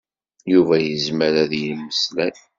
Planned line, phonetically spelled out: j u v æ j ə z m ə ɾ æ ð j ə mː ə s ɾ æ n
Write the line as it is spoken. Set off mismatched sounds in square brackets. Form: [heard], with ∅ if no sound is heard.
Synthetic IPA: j u v æ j ə z m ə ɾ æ ð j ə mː ə s [l] æ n